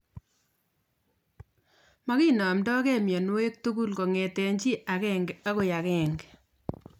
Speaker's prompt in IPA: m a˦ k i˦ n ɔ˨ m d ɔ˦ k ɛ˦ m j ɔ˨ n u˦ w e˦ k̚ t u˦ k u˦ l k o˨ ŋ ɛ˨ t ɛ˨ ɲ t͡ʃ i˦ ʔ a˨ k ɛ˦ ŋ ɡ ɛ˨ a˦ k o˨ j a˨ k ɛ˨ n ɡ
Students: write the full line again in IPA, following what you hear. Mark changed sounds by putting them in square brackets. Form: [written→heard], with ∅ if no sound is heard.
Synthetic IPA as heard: m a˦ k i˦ n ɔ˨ m d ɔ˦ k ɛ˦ m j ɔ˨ n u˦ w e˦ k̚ t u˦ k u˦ l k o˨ ŋ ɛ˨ t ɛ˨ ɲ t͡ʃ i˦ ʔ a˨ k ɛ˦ ŋ ɡ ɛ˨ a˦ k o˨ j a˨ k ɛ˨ [n→ŋ] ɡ

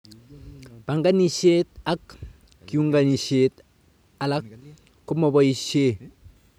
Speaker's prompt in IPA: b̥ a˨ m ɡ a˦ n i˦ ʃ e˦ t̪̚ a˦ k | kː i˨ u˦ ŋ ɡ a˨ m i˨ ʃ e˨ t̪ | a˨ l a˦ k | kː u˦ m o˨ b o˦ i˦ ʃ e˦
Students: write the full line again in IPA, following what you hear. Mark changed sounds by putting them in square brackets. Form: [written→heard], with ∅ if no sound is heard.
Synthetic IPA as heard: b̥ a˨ [m→ŋ] ɡ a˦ n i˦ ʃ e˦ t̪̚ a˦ k | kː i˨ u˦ ŋ ɡ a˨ [m→n] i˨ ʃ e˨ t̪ | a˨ l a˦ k | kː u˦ m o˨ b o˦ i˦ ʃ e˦

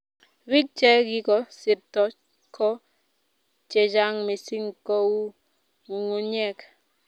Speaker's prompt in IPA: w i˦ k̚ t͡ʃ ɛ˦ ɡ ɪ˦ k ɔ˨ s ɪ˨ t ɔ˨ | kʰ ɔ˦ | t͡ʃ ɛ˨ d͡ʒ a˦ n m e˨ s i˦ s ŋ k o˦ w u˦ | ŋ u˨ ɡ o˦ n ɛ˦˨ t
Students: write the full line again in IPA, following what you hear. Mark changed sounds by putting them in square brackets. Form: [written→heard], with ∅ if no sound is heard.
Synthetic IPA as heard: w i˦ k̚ t͡ʃ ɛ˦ ɡ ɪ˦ k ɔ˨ s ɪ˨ t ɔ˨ | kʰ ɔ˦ | t͡ʃ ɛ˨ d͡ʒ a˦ [n→ŋ] m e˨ s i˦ [s→∅] ŋ k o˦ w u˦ | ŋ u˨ [ɡ→ŋ] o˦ [n→ɲ] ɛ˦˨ [t→k]

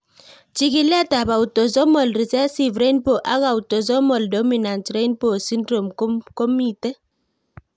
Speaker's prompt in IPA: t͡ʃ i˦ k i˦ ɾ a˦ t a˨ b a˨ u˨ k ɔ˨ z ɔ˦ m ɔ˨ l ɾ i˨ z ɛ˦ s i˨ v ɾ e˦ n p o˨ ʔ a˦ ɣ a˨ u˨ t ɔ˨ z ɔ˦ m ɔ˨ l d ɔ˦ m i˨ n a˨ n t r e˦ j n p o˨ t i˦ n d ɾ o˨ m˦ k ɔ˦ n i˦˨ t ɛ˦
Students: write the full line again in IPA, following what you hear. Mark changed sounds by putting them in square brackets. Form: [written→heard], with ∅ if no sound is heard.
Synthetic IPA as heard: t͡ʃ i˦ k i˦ [ɾ→l] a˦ t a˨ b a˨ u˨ [k→t] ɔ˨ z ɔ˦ m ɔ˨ l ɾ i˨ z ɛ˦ s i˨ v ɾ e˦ n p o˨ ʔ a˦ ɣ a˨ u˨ t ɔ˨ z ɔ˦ m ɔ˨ l d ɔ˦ m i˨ n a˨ n t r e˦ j n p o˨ [t→s] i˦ n d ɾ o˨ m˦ k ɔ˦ [n→m] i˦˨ t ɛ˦

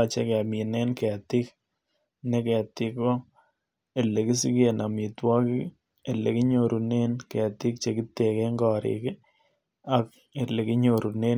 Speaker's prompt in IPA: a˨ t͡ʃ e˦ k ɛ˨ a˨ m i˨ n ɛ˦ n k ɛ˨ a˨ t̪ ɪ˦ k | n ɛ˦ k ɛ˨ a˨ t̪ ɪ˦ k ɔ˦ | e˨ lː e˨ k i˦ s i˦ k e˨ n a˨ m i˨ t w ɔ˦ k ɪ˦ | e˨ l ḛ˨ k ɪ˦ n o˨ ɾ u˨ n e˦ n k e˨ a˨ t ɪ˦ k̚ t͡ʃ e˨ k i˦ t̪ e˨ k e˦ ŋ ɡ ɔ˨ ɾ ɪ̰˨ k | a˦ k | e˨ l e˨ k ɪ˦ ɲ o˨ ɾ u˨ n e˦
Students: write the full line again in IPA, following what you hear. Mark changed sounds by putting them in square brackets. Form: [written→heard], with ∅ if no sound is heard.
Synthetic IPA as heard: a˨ t͡ʃ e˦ k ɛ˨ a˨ m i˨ n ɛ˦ n k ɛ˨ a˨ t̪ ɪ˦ k | n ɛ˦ k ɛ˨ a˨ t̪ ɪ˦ k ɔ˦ | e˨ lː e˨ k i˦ s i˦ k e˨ n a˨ m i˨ t w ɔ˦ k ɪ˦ | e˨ l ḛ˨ k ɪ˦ [n→ɲ] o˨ ɾ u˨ n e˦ n k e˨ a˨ t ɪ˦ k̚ t͡ʃ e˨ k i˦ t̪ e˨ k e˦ ŋ ɡ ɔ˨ ɾ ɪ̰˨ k | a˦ k | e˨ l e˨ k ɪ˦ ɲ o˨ ɾ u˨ n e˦

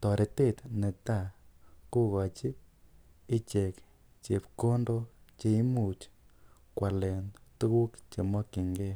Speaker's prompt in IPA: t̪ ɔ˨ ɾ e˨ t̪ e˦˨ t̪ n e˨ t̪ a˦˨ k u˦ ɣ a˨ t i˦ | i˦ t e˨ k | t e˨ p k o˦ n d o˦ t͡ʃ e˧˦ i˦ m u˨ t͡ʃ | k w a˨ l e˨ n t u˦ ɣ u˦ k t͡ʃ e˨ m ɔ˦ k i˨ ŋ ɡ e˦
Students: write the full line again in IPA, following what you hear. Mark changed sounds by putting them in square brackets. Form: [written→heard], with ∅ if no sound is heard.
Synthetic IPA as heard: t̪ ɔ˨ ɾ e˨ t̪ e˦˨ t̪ n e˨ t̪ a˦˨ k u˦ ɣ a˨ [t→t͡ʃ] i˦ | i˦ [t→t͡ʃ] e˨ k | [t→t͡ʃ] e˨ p k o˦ n d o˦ t͡ʃ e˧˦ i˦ m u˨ t͡ʃ | k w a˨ l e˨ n t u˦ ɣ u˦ k t͡ʃ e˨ m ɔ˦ k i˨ ŋ ɡ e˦

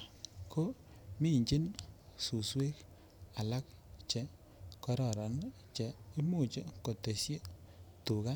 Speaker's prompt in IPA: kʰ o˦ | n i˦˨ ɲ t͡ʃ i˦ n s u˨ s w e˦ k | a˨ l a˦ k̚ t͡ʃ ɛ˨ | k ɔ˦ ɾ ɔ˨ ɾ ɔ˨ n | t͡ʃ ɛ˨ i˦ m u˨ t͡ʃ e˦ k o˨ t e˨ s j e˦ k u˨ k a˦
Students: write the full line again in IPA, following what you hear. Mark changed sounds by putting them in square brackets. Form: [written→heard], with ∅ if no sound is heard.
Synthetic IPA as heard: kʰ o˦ | [n→m] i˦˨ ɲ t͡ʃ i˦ n s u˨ s w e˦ k | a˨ l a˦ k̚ t͡ʃ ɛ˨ | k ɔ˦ ɾ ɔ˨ ɾ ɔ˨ n | t͡ʃ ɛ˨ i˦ m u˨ t͡ʃ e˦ k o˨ t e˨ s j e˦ [k→t] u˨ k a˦

